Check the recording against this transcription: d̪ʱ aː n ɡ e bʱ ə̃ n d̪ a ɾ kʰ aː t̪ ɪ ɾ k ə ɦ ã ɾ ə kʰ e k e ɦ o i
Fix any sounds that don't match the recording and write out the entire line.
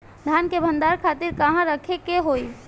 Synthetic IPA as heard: d̪ʱ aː n k e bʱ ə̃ n d̪ a ɾ kʰ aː t̪ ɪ ɾ k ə ɦ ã ɾ ə kʰ e k e ɦ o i